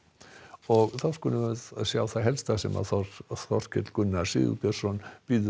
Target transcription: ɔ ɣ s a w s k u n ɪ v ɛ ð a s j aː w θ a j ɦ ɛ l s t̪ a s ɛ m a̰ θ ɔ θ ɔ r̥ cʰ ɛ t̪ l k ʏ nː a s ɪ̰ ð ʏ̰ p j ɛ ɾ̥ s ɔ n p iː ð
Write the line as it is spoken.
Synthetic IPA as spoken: ɔ ɣ θ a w s k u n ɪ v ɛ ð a s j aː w θ a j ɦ ɛ l s t̪ a s ɛ m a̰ θ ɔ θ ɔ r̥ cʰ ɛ t̪ l k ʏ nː a s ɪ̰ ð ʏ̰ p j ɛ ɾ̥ s ɔ n p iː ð